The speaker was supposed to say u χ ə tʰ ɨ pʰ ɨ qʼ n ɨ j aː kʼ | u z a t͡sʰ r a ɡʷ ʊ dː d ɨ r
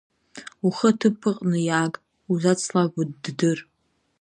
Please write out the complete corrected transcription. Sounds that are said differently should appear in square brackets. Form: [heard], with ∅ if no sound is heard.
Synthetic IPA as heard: u χ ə tʰ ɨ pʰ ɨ qʼ n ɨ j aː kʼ | u z a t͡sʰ [l] a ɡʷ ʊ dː d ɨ r